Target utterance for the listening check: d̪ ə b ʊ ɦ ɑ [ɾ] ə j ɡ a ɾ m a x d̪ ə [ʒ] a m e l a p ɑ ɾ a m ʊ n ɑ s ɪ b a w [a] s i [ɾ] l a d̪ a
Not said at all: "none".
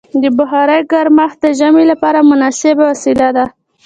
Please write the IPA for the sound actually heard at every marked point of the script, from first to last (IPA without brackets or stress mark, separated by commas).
ɾ, ʒ, a, none